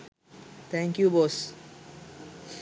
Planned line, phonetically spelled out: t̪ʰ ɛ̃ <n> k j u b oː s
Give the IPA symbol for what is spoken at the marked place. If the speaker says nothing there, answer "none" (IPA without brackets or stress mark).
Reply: ŋ